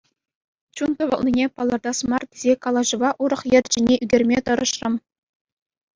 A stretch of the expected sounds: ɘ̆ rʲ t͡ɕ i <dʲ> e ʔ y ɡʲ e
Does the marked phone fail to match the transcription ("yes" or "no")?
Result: yes